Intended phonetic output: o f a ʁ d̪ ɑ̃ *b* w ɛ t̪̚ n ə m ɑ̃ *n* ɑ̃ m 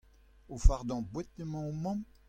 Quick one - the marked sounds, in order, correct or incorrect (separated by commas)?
correct, incorrect